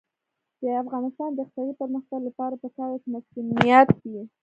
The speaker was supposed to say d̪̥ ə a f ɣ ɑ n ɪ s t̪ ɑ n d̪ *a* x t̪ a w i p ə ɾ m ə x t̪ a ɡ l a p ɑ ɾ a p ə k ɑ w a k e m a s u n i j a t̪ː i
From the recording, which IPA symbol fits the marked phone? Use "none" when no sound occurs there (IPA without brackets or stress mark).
ə